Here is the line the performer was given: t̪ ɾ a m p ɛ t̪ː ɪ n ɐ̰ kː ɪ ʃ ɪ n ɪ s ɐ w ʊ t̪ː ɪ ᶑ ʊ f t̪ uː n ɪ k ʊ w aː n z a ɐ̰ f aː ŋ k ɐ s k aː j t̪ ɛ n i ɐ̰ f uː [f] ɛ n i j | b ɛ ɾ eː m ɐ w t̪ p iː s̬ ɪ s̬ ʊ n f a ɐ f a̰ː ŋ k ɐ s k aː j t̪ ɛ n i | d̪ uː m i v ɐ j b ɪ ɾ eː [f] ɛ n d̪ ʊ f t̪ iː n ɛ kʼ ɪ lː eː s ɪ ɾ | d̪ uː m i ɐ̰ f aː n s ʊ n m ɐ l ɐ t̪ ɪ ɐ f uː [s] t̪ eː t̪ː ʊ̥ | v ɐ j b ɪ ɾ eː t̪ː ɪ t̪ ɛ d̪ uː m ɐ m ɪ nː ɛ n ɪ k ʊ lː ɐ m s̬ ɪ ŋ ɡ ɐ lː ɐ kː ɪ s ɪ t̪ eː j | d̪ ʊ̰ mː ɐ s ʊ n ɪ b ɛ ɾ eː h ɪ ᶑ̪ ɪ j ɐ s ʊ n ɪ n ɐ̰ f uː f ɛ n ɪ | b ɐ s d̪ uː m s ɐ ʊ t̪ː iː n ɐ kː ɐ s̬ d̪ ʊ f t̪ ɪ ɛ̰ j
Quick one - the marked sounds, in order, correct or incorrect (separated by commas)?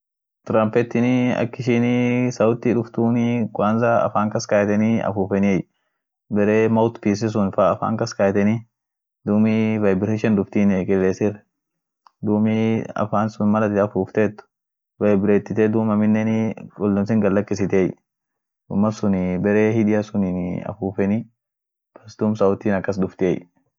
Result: correct, incorrect, incorrect